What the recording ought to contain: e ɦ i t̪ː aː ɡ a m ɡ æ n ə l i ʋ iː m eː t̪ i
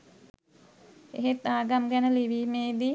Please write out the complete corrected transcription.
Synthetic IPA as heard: e ɦ e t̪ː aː ɡ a m ɡ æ n ə l i ʋ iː m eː d̪ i